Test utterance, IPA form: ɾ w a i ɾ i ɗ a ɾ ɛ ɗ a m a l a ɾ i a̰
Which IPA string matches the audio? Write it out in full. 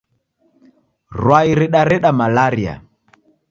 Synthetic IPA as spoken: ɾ w a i ɾ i ɗ a ɾ ɛ ɗ a m a l a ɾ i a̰